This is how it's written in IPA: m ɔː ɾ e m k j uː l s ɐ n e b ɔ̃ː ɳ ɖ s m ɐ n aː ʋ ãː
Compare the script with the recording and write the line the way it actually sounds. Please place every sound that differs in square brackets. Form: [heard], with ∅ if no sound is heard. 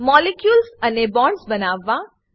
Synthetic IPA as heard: m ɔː [l] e [∅] k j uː l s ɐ n e b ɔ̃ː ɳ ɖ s [b] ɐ n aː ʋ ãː

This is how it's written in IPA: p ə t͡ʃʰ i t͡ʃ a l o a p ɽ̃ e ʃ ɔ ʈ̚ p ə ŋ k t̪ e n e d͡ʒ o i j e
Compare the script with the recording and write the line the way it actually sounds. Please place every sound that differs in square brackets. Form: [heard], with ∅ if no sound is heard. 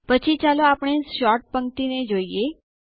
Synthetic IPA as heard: p ə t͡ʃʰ i t͡ʃ a l o a p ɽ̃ e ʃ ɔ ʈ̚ p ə ŋ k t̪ [i] n e d͡ʒ o i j e

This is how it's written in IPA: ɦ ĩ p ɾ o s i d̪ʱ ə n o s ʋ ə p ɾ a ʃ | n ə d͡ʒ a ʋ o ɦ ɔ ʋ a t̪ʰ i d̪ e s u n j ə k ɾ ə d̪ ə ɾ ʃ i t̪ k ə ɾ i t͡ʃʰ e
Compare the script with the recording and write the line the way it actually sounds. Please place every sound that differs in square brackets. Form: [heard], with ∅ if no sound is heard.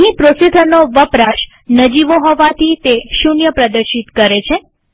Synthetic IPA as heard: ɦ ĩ p ɾ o s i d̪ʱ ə n o [∅] ʋ ə p ɾ a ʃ | n ə d͡ʒ [i] ʋ o ɦ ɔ ʋ a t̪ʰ i [t̪] e [ʃ] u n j ə [p] ɾ ə d̪ ə ɾ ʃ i t̪ k ə ɾ [e] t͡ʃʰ e

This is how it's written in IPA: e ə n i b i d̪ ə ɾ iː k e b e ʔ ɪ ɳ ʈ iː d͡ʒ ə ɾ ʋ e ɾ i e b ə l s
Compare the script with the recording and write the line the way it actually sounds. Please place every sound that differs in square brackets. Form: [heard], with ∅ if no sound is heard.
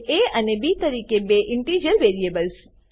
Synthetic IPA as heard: e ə n [e] b i [t̪] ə ɾ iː k e b e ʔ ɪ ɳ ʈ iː d͡ʒ ə ɾ ʋ e ɾ i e b ə l s

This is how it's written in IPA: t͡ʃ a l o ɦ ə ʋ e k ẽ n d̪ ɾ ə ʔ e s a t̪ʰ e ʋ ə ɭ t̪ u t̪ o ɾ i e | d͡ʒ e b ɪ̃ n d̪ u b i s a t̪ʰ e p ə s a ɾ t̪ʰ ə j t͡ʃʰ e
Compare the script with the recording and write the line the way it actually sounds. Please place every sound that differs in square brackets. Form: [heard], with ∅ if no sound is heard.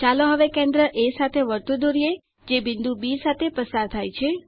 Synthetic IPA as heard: t͡ʃ a l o ɦ ə ʋ e k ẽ n d̪ ɾ ə ʔ e s a t̪ʰ e ʋ ə [ɾ] t̪ u [d̪] o ɾ i e | d͡ʒ e b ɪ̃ n d̪ u b i s a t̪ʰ e p ə s a ɾ t̪ʰ [a] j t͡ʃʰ e

